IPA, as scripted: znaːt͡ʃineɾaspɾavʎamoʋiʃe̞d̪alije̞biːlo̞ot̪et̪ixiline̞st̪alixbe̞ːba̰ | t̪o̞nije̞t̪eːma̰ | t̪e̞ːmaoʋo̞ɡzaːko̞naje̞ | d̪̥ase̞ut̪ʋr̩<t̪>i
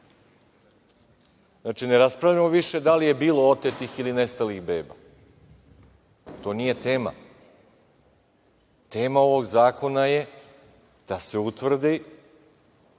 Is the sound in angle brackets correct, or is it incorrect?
incorrect